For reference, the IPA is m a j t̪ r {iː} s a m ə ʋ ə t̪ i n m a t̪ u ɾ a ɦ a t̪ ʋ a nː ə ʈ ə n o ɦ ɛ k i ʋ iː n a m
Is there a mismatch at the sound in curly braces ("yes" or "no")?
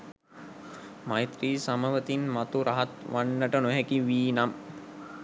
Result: no